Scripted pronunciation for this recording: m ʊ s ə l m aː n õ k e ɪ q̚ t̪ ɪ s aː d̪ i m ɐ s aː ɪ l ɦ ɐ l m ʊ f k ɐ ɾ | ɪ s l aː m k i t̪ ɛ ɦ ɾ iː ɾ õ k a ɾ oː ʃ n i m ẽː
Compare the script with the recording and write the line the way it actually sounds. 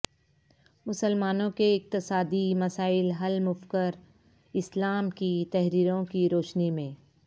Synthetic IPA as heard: m ʊ s ə l m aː n õ k e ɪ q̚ t̪ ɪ s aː d̪ i m ɐ s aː ɪ l ɦ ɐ l m ʊ f k ə ɾ | ɪ s l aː m k i t̪ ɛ ɦ ɾ iː ɾ õ k i ɾ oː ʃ n i m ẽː